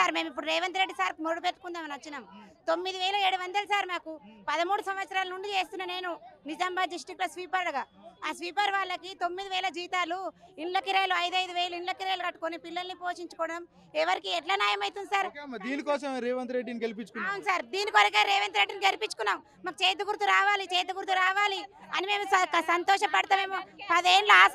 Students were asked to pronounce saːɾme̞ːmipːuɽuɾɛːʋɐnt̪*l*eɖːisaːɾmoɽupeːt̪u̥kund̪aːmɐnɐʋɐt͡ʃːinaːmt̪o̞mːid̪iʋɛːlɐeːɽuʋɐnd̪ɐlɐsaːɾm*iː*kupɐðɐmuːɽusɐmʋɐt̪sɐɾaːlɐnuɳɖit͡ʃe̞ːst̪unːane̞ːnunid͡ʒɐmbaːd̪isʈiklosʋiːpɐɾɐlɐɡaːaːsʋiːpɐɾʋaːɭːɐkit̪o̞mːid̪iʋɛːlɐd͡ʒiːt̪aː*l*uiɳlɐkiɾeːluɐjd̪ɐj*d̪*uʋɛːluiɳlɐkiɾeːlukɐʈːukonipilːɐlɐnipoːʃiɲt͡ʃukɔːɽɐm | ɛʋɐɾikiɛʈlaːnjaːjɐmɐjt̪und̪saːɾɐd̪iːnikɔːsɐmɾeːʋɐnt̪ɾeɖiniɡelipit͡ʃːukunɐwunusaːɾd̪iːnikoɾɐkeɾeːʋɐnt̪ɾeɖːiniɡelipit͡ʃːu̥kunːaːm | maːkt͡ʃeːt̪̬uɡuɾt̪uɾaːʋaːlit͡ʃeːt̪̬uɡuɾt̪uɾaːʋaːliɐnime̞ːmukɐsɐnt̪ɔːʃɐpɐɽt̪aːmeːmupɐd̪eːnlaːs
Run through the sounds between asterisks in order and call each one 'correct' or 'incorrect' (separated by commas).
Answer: incorrect, incorrect, correct, correct